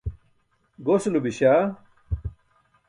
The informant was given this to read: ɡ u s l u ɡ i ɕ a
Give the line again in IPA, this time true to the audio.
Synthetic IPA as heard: ɡ o s l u b i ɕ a